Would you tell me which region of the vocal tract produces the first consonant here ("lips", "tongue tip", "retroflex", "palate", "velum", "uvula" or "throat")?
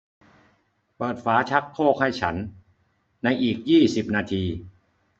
lips